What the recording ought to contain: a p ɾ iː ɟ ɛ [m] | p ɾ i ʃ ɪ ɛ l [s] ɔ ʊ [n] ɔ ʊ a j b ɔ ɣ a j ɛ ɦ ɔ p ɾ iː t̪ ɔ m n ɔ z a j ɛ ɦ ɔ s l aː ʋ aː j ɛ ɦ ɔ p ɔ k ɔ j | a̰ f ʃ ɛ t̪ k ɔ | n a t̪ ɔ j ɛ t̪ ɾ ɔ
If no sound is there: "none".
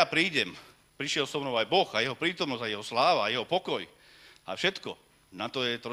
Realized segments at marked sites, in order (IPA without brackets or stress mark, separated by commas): m, s, n